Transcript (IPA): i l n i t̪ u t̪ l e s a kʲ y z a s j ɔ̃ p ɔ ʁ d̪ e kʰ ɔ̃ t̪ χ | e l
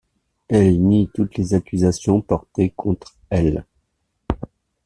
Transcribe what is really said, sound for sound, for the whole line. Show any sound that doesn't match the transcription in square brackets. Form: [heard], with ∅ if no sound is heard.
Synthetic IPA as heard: [ɛ] l n i t̪ u t̪ l e [z] a kʲ y z a s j ɔ̃ p ɔ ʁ [t̪] e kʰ ɔ̃ t̪ χ | [ɛ] l